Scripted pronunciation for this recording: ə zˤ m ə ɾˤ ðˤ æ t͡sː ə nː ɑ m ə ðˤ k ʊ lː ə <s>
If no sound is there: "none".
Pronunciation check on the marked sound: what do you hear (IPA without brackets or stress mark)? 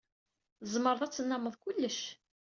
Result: ʃ